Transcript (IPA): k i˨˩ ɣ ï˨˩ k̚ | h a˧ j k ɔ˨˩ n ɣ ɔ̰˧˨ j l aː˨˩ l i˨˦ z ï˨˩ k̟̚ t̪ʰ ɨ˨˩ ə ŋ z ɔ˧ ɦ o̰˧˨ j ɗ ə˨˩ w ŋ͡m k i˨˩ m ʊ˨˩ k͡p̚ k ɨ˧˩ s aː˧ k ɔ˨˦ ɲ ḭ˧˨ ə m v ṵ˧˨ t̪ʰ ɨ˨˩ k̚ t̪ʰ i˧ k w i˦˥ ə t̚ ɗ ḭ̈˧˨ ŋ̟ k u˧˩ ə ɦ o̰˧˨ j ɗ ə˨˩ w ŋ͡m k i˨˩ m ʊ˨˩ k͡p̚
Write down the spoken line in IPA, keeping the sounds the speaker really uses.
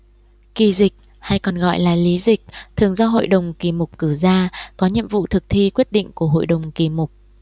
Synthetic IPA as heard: k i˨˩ z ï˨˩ k̚ | h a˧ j k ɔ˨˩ n ɣ ɔ̰˧˨ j l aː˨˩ l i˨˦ z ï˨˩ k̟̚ t̪ʰ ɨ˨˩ ə ŋ z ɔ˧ ɦ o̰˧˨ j ɗ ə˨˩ w ŋ͡m k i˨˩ m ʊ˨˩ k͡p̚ k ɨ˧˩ z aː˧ k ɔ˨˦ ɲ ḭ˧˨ ə m v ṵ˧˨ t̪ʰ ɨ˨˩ k̚ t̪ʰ i˧ k w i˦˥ ə t̚ ɗ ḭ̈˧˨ ŋ̟ k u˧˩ ə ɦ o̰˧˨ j ɗ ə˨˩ w ŋ͡m k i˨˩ m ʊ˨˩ k͡p̚